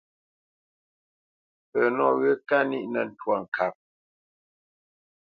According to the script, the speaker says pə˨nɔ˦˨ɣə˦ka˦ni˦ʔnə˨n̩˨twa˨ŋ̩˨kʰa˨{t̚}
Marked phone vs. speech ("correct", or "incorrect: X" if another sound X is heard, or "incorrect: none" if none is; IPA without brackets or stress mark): incorrect: p̚